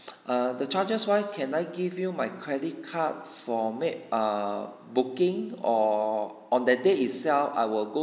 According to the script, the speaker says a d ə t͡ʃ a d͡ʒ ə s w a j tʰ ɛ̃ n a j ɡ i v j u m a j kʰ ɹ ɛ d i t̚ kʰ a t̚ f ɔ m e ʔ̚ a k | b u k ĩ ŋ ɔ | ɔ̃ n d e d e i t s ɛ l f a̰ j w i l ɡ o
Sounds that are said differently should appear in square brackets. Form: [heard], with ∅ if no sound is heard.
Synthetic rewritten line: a d ə t͡ʃ a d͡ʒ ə s w a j [kʰ] ɛ̃ n a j ɡ i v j u m a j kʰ ɹ ɛ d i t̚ kʰ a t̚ f ɔ m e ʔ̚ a [∅] | b u k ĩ ŋ ɔ | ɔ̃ n d [ɛ] d e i t s ɛ l f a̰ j w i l ɡ o